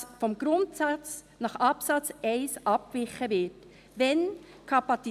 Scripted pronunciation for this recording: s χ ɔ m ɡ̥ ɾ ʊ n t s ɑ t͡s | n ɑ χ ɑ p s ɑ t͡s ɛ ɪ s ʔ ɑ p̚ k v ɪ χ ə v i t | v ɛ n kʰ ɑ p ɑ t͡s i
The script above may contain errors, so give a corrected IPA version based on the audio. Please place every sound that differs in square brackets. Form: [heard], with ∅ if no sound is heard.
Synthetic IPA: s [f] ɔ m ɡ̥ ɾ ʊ n t s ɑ t͡s | n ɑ χ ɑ p s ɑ t͡s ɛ ɪ s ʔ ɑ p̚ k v ɪ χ ə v [ɪ] t | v ɛ n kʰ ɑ p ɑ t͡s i